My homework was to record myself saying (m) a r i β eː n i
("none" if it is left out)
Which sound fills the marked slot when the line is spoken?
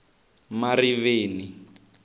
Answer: m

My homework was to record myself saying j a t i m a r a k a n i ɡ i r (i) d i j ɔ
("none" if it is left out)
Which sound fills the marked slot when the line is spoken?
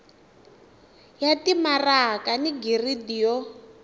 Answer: i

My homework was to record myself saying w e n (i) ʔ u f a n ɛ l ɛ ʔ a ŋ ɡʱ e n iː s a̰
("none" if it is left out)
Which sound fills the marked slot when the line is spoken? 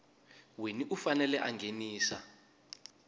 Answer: i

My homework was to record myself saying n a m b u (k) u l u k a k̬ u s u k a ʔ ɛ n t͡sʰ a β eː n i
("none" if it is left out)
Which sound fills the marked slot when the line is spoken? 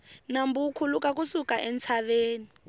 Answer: kʰ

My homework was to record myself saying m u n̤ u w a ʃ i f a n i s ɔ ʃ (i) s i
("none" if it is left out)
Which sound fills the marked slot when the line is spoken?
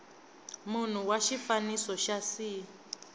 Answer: a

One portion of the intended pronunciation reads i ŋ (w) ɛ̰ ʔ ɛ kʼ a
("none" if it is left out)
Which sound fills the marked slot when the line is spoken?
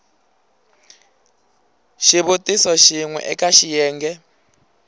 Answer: w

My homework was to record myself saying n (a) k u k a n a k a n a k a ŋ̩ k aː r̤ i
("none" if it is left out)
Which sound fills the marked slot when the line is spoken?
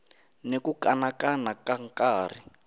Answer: e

